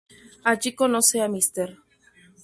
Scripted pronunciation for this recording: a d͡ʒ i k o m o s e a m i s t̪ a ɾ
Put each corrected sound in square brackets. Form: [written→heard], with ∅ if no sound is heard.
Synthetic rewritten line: a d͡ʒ i k o [m→n] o s e a m i s t̪ [a→e] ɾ